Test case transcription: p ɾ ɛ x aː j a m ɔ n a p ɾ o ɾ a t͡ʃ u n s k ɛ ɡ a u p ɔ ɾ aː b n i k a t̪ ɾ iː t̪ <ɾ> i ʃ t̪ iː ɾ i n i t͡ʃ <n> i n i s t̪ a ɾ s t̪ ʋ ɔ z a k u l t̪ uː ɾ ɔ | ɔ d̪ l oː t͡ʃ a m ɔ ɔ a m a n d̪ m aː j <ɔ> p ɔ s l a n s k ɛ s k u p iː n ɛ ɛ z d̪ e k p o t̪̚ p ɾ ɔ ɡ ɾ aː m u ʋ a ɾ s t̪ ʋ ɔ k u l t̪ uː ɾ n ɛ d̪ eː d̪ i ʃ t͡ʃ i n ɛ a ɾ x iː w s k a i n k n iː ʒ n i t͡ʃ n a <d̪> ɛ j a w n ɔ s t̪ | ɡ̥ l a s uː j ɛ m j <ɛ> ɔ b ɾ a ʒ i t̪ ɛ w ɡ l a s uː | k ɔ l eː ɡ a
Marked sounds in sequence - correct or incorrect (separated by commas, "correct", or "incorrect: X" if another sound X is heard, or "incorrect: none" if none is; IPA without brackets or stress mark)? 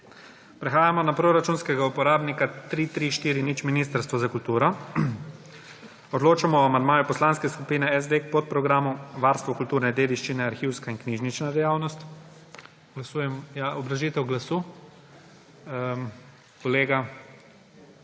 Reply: correct, incorrect: m, incorrect: u, correct, incorrect: a